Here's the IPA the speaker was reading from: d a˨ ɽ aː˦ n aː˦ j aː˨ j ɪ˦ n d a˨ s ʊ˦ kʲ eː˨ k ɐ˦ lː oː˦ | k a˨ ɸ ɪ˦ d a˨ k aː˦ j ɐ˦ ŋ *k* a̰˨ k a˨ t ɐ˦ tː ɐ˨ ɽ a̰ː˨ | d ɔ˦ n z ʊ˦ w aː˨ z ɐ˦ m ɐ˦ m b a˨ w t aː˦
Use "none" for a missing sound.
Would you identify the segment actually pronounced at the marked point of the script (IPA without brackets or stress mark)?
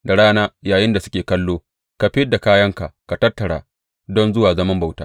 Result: k